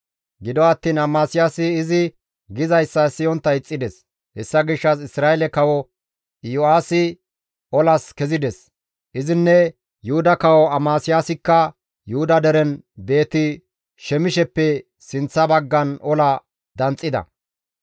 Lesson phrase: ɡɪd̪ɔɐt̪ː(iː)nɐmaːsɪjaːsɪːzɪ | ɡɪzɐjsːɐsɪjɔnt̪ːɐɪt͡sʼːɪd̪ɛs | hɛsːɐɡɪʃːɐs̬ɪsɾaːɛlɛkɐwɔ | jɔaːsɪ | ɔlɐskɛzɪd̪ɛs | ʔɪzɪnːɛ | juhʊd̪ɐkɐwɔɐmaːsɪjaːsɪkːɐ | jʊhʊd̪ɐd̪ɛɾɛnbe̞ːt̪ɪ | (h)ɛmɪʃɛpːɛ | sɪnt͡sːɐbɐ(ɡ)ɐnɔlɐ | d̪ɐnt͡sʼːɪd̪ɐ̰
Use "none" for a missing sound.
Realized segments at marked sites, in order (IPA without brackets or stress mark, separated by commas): iː, ʃ, ɡː